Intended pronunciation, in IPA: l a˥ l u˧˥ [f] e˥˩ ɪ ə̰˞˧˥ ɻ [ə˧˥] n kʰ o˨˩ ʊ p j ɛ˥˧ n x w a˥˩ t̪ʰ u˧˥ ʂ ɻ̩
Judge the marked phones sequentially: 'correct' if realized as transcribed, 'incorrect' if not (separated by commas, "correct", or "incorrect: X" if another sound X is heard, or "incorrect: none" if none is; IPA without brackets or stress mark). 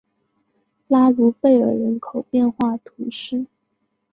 correct, correct